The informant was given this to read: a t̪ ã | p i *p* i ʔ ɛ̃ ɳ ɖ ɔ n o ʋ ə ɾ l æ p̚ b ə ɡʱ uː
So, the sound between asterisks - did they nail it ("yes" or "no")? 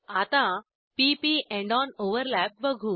yes